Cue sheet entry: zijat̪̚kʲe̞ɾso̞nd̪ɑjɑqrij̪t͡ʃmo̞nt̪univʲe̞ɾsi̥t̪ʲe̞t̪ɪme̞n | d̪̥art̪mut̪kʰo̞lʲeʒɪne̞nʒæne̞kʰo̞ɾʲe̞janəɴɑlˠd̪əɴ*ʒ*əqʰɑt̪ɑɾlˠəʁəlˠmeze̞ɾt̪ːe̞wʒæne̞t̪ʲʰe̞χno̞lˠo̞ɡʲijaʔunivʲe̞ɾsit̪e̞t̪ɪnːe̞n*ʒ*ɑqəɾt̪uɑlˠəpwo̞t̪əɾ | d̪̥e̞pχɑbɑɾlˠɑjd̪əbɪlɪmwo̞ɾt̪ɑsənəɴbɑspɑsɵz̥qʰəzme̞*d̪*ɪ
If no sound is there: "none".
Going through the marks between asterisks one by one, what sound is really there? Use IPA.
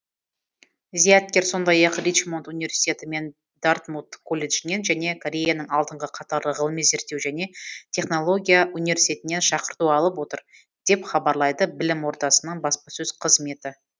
ʁ, ʃ, t̪

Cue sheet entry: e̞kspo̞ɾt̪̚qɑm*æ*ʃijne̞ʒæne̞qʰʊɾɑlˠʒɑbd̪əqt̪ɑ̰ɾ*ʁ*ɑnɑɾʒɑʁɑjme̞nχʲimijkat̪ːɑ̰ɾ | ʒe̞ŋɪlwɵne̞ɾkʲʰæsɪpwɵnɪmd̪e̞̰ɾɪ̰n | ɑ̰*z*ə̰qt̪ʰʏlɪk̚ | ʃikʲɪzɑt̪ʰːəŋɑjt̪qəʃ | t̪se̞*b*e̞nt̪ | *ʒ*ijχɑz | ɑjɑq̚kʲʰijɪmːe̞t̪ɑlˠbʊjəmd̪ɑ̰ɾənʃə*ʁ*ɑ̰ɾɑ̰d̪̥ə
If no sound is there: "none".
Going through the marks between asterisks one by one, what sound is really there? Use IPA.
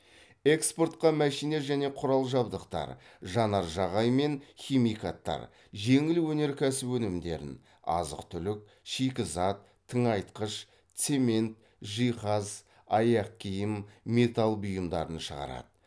æ, ʒ, z, m, ʒ, ʁ

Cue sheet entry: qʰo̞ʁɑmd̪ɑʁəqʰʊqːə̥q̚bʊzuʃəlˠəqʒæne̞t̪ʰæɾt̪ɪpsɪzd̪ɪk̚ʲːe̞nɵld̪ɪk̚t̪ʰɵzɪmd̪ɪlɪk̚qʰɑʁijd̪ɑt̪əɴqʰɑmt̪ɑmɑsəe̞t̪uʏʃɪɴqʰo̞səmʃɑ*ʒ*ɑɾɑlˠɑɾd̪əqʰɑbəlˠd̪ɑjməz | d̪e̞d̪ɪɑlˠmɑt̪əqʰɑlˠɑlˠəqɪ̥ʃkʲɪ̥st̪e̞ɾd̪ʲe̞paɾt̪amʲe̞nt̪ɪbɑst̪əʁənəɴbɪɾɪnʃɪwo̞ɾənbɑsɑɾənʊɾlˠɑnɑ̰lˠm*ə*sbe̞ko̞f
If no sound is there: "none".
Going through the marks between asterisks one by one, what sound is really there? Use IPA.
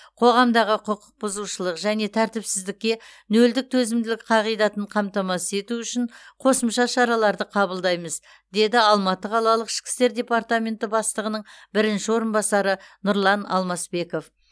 ʃ, ɑ

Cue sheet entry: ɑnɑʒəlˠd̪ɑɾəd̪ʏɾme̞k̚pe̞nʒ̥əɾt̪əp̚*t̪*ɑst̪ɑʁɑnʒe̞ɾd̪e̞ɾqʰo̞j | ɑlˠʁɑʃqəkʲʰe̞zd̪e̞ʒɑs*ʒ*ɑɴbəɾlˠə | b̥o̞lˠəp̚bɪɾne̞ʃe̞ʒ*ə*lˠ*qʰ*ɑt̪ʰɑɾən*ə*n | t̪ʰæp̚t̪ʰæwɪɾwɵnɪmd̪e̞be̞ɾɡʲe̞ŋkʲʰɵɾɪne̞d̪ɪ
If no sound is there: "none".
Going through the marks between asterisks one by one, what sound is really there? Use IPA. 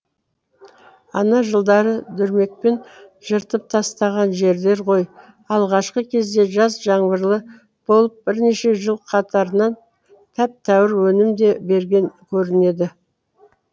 t̪ʰ, ʒ, ə, qʰ, ɑ

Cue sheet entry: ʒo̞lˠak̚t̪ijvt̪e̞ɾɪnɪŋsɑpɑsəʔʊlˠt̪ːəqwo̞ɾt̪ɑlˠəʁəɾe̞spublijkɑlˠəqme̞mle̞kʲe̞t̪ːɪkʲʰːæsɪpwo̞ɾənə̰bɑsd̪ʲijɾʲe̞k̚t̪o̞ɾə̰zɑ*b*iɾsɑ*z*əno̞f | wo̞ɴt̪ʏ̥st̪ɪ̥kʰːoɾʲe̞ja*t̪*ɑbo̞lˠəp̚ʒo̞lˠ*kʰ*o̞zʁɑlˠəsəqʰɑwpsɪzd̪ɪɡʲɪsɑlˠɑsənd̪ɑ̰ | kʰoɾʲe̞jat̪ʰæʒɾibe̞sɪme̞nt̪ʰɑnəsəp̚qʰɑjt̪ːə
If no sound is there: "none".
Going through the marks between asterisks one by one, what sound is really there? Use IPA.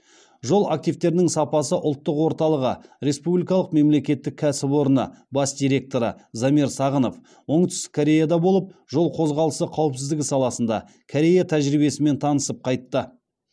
m, ʁ, d̪, qʰ

